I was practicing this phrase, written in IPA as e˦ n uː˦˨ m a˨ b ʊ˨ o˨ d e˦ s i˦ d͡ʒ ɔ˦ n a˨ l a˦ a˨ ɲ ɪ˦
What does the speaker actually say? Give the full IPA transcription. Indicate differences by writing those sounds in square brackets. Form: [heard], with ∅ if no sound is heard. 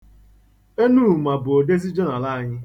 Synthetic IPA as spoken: e˦ n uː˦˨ m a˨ b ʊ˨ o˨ d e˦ [z] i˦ d͡ʒ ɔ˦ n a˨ l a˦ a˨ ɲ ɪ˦